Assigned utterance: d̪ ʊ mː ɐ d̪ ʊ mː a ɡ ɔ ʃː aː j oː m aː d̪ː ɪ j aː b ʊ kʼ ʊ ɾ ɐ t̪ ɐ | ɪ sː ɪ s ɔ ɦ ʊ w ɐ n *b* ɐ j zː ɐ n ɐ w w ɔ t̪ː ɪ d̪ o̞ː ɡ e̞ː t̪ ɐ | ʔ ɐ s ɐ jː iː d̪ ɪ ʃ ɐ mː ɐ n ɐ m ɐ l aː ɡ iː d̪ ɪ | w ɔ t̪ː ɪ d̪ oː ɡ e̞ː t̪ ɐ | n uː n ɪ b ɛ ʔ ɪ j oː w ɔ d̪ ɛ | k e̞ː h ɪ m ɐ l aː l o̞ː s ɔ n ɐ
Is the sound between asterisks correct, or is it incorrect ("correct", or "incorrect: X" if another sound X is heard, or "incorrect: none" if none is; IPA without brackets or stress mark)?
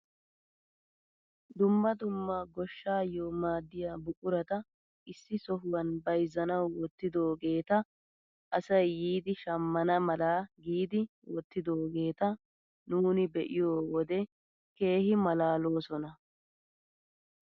correct